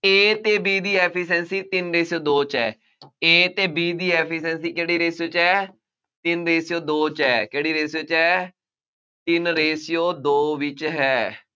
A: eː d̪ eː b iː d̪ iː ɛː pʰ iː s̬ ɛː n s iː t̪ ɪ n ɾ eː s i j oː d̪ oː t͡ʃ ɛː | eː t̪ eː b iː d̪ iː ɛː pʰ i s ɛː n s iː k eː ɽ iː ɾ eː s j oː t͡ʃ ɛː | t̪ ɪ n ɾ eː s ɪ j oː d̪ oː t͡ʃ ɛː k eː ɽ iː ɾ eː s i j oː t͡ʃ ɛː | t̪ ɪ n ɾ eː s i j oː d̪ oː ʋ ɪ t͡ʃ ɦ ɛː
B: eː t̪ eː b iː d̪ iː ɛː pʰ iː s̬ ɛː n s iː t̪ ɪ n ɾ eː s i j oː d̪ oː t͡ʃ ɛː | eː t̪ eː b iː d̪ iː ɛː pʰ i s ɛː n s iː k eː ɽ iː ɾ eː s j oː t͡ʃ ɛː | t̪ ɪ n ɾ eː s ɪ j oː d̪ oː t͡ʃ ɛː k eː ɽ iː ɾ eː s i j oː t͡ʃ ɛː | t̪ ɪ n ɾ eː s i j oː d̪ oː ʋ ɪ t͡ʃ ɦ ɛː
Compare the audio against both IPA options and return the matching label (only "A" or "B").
B